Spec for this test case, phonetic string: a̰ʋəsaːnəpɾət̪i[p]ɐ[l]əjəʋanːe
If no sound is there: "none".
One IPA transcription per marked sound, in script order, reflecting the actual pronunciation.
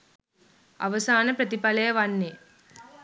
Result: p, l

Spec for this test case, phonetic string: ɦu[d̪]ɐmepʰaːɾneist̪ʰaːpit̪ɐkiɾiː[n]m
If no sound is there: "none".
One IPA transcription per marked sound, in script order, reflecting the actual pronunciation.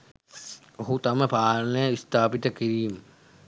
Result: t̪, none

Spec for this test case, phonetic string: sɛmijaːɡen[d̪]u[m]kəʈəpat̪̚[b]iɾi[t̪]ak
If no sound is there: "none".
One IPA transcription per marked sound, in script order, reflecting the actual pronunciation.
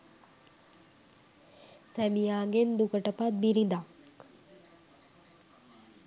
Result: d̪, none, b, d̪

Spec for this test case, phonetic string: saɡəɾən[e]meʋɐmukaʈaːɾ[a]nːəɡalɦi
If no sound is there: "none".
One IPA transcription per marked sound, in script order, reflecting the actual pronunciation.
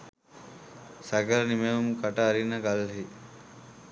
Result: i, i

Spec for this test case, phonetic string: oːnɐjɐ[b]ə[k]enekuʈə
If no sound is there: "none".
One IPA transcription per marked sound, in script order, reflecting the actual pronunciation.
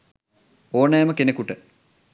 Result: m, k

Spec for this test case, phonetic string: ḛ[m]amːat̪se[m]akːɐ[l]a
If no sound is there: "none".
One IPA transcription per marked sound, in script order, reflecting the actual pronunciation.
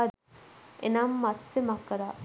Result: n, m, ɾ

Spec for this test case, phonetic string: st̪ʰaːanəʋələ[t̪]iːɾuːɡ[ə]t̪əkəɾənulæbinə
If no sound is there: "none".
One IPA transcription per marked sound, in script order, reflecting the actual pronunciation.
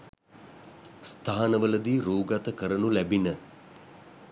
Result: d̪, a

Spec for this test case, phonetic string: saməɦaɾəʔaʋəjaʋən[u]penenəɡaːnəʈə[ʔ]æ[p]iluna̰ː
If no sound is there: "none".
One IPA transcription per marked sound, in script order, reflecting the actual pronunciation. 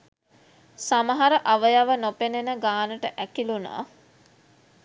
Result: o, ʔ, k

